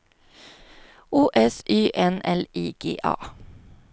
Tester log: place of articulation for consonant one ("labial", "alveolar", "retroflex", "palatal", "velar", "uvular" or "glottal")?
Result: glottal